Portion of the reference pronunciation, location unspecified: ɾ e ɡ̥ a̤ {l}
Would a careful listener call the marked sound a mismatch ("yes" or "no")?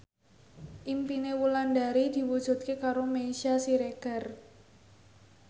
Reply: yes